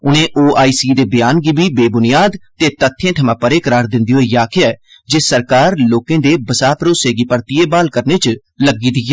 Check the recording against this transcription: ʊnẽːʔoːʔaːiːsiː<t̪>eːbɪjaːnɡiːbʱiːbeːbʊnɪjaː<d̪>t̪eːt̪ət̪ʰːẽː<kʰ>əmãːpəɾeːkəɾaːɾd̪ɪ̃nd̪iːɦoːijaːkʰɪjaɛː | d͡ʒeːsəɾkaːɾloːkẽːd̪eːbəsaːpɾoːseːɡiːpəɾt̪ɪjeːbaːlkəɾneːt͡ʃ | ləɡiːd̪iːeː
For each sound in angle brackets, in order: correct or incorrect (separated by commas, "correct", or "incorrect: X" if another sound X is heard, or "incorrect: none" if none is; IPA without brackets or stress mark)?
incorrect: d̪, correct, incorrect: ʈʰ